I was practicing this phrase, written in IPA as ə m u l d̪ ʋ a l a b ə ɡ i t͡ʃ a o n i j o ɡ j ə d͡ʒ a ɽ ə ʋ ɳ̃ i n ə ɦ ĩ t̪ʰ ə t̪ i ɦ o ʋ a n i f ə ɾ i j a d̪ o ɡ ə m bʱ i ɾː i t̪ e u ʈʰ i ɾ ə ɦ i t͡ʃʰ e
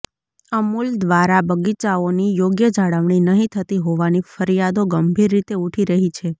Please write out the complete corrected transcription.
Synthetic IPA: ə m u l d̪ ʋ a ɾ a b ə ɡ i t͡ʃ a o n i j o ɡ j ə d͡ʒ a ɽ ə ʋ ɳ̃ i n ə ɦ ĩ t̪ʰ ə t̪ i ɦ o ʋ a n i f ə ɾ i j a d̪ o ɡ ə m bʱ i ɾː i t̪ e u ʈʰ i ɾ ə ɦ i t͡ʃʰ e

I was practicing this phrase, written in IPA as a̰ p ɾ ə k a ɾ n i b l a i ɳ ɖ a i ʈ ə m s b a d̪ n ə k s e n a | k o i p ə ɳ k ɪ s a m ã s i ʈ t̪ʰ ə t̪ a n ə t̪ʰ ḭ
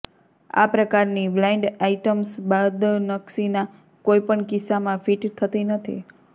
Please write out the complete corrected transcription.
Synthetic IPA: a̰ p ɾ ə k a ɾ n i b l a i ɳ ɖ a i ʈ ə m s b a d̪ n ə k s i n a | k o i p ə ɳ k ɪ s a m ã f i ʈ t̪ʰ ə t̪ i n ə t̪ʰ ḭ

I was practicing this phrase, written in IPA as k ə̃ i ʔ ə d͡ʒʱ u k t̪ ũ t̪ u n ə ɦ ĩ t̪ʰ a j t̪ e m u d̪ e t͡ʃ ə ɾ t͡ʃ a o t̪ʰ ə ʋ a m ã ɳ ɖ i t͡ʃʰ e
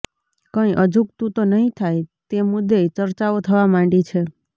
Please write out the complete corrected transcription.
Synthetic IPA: k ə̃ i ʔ ə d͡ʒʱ u k t̪ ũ t̪ o n ə ɦ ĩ t̪ʰ a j t̪ e m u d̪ e t͡ʃ ə ɾ t͡ʃ a o t̪ʰ ə ʋ a m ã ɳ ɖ i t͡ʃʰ e

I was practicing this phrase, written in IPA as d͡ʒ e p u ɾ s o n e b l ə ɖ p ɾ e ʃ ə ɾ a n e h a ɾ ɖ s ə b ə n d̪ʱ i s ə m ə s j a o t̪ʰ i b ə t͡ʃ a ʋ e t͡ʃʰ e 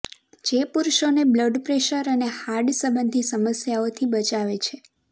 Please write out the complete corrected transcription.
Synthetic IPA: d͡ʒ e p u ɾ ʃ o n e b l ə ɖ p ɾ e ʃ ə ɾ ə n e h a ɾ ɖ s ə b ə n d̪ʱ i s ə m ə s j a o t̪ʰ i b ə t͡ʃ a ʋ e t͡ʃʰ e

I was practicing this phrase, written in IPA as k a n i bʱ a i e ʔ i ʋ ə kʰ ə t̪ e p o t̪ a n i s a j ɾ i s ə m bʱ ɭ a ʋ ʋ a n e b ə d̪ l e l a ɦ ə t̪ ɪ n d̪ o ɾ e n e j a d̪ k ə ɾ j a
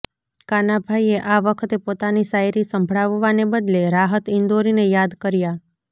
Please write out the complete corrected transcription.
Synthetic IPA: k a n a bʱ a i e ʔ a ʋ ə kʰ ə t̪ e p o t̪ a n i s a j ɾ i s ə m bʱ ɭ a ʋ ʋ a n e b ə d̪ l e ɾ a ɦ ə t̪ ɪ n d̪ o ɾ i n e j a d̪ k ə ɾ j a

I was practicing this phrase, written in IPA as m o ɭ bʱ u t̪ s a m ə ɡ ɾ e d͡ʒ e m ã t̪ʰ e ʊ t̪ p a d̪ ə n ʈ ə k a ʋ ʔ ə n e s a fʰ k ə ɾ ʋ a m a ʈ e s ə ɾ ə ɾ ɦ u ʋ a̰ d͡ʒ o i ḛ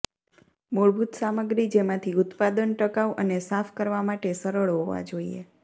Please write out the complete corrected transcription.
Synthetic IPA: m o ɭ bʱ u t̪ s a m ə ɡ ɾ i d͡ʒ e m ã t̪ʰ i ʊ t̪ p a d̪ ə n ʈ ə k a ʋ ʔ ə n e s a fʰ k ə ɾ ʋ a m a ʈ e s ə ɾ ə ɭ ɦ o ʋ a̰ d͡ʒ o i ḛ

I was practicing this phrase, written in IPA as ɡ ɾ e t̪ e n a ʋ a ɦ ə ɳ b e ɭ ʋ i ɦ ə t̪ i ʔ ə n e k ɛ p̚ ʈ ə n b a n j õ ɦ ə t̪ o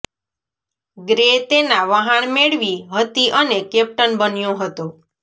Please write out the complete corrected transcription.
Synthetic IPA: ɡ ɾ e t̪ e n a ʋ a ɦ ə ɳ m e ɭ ʋ i ɦ ə t̪ i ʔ ə n e k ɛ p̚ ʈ ə n b ə n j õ ɦ ə t̪ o

